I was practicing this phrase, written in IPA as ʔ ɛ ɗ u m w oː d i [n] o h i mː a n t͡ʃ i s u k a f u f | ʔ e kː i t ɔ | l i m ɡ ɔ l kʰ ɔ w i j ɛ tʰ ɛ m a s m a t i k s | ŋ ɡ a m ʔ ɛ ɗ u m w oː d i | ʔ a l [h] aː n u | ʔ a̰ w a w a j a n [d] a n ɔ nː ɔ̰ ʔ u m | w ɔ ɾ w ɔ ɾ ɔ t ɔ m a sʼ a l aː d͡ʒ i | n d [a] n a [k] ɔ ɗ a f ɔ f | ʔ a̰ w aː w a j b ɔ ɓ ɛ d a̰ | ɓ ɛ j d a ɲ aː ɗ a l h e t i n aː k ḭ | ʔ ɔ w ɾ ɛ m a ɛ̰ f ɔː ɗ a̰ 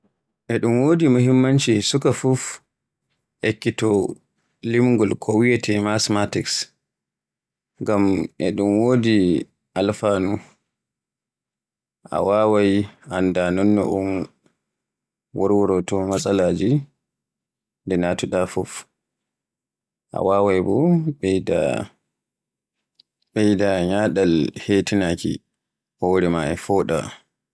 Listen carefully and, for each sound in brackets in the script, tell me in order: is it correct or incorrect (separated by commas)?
incorrect, incorrect, correct, incorrect, incorrect